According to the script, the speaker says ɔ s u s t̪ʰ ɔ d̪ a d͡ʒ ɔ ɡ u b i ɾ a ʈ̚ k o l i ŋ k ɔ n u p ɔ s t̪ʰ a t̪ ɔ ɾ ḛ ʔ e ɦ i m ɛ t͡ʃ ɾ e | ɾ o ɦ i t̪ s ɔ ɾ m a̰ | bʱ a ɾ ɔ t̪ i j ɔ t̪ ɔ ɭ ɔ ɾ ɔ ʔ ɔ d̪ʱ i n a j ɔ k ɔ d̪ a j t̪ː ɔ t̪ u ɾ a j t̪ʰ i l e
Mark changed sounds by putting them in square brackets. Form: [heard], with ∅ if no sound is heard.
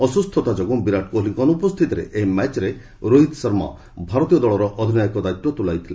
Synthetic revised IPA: ɔ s u s t̪ʰ ɔ [t̪] a d͡ʒ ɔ ɡ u b i ɾ a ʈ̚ k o l i ŋ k ɔ n u p ɔ s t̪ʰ [i] t̪ ɔ ɾ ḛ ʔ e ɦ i m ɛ t͡ʃ ɾ e | ɾ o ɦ i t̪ s ɔ ɾ m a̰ | bʱ a ɾ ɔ t̪ i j ɔ [d̪] ɔ ɭ ɔ ɾ ɔ ʔ ɔ d̪ʱ i n a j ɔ k ɔ d̪ a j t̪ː ɔ t̪ u [l] a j t̪ʰ i l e